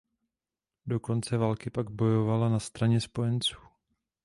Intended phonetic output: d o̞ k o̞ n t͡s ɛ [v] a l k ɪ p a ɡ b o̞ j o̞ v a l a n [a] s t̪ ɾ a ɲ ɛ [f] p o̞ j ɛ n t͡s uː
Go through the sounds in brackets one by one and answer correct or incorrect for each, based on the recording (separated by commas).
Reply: correct, correct, incorrect